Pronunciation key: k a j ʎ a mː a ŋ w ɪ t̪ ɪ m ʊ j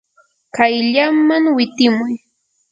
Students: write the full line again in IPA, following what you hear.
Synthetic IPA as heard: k a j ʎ a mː a ŋ w ɪ t̪ ɪ m ʊ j